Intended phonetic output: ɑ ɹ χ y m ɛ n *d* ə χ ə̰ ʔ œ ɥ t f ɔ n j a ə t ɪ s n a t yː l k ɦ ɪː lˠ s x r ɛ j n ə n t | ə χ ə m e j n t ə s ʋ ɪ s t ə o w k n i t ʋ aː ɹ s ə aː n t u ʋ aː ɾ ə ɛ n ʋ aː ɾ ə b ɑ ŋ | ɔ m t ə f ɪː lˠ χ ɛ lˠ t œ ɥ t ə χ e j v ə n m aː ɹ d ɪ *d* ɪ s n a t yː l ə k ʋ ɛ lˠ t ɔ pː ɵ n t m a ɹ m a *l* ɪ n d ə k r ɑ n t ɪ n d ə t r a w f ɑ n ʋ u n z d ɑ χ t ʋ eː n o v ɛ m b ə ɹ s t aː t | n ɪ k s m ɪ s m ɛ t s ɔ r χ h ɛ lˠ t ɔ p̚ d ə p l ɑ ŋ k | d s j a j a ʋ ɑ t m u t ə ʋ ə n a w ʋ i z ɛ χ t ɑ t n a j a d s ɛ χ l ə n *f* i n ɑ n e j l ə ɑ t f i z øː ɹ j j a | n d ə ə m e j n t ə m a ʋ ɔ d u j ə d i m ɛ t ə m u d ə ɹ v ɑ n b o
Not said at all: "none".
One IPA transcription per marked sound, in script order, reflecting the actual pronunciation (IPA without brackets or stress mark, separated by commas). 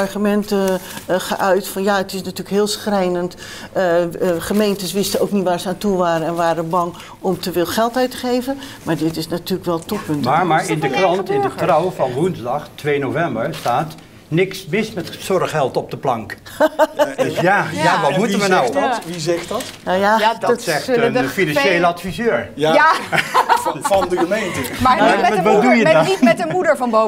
t, t, ɹ, f